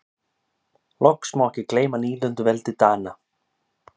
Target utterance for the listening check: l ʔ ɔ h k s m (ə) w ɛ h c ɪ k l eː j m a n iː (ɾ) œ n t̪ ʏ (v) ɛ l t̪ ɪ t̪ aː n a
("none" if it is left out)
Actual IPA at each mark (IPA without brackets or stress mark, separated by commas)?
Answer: a, l, v